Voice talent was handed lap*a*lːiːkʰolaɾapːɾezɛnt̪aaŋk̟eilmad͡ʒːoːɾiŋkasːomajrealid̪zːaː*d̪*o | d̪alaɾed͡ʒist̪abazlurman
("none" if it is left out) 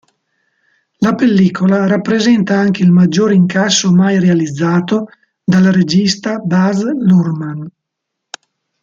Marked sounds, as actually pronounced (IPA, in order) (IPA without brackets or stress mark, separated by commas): e, t̪